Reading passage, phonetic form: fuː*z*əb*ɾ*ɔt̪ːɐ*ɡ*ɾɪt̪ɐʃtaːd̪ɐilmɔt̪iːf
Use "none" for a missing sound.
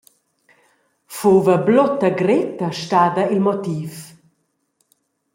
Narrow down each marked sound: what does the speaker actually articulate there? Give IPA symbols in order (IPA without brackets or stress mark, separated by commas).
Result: v, l, ɡ